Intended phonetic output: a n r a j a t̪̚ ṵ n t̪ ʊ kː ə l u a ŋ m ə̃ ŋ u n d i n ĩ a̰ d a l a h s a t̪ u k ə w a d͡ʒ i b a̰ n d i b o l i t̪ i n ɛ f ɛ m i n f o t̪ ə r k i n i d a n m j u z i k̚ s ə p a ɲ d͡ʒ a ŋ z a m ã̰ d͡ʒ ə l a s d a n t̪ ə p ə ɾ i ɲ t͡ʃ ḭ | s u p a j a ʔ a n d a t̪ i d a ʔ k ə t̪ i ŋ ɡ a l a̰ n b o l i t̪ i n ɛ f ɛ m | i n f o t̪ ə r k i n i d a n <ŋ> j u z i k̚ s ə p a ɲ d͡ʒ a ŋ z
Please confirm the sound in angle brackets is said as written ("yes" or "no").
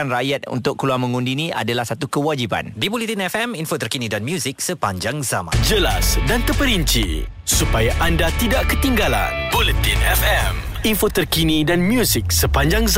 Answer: no